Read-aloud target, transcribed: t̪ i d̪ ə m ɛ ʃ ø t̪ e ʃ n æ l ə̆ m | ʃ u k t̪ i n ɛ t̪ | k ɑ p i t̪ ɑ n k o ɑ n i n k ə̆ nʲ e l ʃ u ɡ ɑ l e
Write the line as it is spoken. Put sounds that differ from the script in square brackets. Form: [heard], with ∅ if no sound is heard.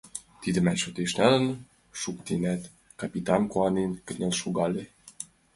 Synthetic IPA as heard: t̪ i d̪ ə m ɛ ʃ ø t̪ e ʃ n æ l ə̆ [n] | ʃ u k t̪ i n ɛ t̪ | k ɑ p i t̪ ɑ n k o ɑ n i n k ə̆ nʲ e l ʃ u ɡ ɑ l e